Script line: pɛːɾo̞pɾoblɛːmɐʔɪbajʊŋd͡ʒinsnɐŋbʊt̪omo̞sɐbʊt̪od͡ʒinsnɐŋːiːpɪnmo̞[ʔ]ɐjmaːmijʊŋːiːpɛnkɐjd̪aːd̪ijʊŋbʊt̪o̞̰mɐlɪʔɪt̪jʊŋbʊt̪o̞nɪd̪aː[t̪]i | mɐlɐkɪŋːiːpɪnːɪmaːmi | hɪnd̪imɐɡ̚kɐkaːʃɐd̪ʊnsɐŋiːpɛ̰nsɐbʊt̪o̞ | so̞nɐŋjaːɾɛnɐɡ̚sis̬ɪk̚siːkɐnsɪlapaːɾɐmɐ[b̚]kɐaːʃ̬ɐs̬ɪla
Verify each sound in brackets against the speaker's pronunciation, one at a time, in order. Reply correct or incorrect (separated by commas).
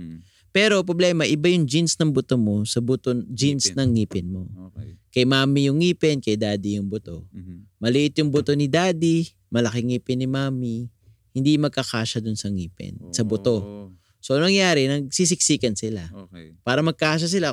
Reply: incorrect, incorrect, incorrect